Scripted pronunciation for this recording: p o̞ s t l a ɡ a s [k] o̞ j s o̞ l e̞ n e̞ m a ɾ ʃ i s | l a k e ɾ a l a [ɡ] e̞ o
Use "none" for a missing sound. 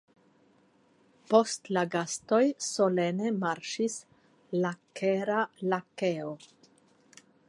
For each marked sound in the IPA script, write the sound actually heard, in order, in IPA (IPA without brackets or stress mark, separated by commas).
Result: t, k